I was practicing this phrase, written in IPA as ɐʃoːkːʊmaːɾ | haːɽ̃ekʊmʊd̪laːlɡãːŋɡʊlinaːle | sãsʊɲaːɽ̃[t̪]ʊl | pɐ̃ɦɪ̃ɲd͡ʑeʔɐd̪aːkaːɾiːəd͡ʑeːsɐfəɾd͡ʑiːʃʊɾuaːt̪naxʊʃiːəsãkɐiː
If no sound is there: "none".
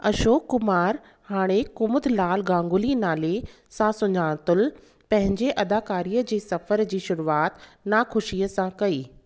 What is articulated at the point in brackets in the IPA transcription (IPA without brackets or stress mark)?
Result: t̪